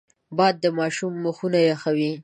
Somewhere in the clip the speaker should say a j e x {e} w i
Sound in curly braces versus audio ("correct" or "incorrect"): incorrect